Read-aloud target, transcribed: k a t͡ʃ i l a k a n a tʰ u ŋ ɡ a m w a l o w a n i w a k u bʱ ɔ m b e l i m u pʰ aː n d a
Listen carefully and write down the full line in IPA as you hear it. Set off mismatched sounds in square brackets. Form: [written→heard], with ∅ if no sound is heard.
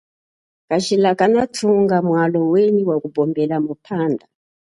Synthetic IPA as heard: k a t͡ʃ i l a k a n a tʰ u ŋ ɡ a m w a l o w [a→e] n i w a k u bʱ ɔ m b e l [i→a] m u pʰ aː n d a